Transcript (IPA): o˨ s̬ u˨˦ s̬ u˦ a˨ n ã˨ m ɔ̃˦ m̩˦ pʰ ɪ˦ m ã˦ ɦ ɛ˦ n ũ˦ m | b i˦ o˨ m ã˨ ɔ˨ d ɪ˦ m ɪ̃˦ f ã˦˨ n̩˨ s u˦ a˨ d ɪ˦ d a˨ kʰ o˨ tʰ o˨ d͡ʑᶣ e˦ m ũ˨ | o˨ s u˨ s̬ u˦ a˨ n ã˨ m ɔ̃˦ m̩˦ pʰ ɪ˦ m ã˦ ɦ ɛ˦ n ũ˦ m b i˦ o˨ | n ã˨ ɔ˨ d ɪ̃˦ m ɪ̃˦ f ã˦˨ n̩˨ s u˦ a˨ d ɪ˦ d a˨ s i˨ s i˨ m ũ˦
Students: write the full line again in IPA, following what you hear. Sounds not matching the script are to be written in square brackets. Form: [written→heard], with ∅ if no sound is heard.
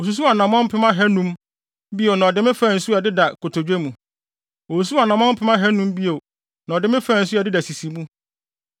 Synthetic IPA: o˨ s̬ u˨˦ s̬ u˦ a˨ n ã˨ m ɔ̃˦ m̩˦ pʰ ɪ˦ m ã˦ ɦ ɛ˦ n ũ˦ m | b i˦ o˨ [m→n] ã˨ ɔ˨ d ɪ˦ m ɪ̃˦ f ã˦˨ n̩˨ s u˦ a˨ d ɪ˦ d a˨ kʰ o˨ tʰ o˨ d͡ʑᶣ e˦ m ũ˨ | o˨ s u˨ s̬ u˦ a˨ n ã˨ m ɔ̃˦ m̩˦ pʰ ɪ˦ m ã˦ ɦ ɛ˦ n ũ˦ m b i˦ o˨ | n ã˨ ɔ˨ d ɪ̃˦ m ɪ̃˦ f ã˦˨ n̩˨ s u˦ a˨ d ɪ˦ d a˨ s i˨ s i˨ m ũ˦